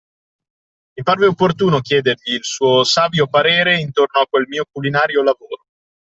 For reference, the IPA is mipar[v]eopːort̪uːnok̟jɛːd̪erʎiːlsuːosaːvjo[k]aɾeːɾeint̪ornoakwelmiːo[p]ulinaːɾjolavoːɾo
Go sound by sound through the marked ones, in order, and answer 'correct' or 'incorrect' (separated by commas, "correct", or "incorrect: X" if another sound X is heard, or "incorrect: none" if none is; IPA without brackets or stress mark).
correct, incorrect: p, incorrect: k